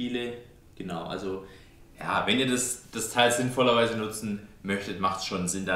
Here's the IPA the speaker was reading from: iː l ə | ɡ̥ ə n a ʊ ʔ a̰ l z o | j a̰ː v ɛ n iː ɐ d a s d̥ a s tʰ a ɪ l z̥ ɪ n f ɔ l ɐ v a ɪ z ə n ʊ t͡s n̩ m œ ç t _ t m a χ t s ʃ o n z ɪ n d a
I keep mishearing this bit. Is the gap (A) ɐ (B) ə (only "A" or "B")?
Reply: B